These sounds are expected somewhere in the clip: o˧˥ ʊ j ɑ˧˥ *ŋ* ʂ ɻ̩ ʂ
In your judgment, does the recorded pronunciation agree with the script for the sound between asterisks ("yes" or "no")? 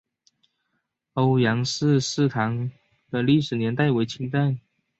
yes